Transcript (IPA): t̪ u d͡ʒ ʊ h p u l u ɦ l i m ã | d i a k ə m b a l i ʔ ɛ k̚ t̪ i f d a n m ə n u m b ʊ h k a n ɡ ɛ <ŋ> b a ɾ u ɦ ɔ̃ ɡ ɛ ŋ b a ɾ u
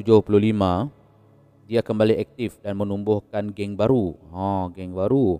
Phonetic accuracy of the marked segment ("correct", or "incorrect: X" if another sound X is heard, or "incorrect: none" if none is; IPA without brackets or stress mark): correct